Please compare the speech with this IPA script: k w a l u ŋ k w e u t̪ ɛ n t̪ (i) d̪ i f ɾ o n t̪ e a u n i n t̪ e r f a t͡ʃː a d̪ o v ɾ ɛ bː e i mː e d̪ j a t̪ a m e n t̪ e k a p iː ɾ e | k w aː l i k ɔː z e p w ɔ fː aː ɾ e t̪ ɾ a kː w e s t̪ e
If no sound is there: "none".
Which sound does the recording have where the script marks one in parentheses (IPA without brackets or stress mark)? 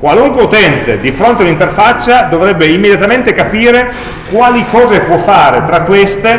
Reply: e